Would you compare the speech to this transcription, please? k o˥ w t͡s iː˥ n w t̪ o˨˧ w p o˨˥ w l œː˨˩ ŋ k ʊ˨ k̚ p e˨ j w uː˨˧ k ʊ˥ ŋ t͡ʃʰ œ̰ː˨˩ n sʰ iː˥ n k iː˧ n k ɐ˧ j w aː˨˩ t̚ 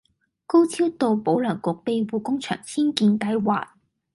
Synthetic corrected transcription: k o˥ w t͡sʰ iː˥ w t̪ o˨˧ w p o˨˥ w l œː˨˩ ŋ k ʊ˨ k̚ p e˨ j w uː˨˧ k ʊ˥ ŋ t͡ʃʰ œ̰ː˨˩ ŋ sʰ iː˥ n k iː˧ n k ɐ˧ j w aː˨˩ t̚

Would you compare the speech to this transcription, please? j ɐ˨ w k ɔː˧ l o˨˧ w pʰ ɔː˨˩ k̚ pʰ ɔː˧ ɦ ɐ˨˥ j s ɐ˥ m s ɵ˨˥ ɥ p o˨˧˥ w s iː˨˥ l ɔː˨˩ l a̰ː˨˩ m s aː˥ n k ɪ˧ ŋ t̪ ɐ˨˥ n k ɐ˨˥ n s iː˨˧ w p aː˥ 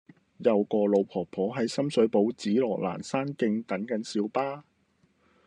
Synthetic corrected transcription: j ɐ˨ w k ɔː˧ l o˨˧ w pʰ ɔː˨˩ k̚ pʰ ɔː˨˥ ɦ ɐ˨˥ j s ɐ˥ m s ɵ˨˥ ɥ p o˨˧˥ w t͡s iː˨˥ l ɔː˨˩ l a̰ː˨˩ n s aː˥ n k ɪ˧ ŋ t̪ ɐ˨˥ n k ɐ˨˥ n s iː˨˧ w p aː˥

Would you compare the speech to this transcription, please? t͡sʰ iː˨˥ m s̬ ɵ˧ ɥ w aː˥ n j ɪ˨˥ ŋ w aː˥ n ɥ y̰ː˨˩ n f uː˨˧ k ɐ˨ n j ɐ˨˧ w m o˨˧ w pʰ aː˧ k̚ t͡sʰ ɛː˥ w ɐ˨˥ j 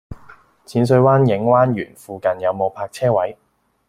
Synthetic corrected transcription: t͡sʰ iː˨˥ n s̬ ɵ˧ ɥ w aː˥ n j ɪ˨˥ ŋ w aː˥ n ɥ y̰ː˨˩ n f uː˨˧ k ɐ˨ n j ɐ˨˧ w m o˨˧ w pʰ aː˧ k̚ t͡sʰ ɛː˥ w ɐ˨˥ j

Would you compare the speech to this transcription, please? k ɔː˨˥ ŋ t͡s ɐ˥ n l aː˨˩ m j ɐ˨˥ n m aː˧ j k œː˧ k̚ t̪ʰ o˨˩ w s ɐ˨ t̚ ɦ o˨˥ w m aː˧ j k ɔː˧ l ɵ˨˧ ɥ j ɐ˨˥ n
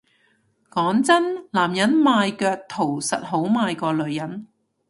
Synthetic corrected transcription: k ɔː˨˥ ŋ t͡s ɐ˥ n l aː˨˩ m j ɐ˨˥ n m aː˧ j k œː˧ k̚ t̪ʰ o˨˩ w s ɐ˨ t̚ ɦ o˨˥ w m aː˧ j k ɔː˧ l ɵ˨˧ ɥ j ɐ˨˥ n

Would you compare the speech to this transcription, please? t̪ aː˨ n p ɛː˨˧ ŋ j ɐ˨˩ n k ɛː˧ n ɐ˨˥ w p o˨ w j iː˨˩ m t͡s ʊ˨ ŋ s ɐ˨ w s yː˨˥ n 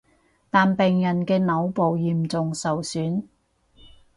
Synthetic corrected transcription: t̪ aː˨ n p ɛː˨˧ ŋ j ɐ˨˩ n k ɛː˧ n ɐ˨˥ w p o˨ w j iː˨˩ m t͡s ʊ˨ ŋ s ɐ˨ w s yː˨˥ n

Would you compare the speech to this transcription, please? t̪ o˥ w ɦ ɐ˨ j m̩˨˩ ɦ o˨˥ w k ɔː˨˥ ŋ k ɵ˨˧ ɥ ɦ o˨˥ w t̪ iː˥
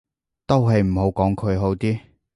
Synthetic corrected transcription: t̪ o˥ w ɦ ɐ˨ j m̩˨˩ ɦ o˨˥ w k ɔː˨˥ ŋ kʰ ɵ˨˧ ɥ ɦ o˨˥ w t̪ iː˥

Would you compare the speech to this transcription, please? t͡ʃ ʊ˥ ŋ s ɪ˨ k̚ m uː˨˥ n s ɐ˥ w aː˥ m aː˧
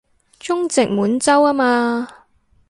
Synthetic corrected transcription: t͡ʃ ʊ˥ ŋ t͡s ɪ˨ k̚ m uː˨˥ n t͡s ɐ˥ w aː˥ m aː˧

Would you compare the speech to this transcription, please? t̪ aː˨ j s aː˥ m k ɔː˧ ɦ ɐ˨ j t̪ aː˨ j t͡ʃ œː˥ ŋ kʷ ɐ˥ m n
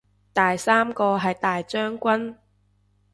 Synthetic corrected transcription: t̪ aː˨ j s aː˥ m k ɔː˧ ɦ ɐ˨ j t̪ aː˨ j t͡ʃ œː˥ ŋ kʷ ɐ˥ n

